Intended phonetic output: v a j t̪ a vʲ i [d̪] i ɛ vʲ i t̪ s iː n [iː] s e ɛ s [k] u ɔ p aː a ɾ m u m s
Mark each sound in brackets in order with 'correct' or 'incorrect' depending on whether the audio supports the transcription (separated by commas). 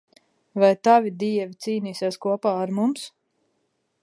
correct, correct, correct